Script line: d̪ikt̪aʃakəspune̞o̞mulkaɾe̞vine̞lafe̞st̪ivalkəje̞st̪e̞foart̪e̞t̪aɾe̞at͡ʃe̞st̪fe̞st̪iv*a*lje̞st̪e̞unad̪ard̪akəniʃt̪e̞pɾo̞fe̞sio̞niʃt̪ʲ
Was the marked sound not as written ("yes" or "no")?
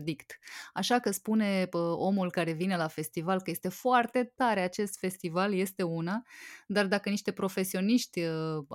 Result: no